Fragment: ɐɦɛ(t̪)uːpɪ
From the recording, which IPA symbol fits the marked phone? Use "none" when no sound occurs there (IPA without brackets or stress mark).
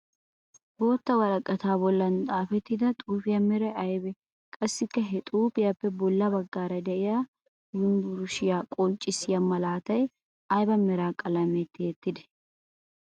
t̪ʼ